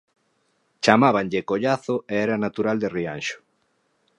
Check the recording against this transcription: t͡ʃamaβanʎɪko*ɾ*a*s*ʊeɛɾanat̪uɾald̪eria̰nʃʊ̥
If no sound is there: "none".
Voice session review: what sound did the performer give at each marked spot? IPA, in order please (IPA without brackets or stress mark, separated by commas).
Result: ʎ, θ